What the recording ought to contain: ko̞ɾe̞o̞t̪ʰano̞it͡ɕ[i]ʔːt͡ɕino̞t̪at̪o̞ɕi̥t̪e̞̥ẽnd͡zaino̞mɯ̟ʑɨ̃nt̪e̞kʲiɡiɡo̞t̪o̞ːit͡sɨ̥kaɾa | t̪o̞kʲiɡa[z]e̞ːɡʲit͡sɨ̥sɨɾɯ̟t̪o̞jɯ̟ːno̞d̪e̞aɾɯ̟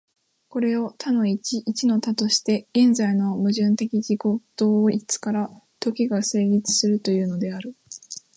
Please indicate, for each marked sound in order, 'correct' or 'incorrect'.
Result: correct, incorrect: s

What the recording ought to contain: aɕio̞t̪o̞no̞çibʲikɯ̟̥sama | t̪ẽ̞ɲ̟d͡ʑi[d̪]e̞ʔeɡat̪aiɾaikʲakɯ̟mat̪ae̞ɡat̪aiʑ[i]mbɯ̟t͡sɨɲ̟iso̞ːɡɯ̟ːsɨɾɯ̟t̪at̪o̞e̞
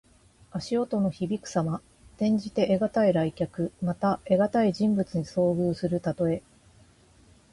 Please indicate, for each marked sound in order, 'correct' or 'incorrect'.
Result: incorrect: t̪, incorrect: ĩ

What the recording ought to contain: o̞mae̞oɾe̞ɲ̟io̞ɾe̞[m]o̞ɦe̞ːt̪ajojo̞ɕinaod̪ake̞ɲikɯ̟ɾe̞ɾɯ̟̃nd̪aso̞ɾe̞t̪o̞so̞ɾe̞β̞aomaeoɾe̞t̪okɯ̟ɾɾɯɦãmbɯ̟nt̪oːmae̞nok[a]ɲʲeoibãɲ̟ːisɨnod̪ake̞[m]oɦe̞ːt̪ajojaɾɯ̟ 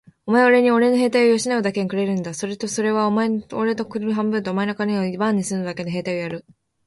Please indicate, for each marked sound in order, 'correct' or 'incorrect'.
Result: incorrect: n, correct, incorrect: n

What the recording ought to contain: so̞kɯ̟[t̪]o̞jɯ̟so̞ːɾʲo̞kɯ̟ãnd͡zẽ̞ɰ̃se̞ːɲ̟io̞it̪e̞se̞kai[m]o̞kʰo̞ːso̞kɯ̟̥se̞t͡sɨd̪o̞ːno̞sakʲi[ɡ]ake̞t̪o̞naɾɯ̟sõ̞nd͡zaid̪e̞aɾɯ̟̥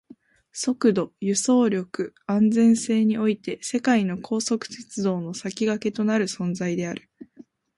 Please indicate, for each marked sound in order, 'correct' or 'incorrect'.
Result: incorrect: d̪, incorrect: n, correct

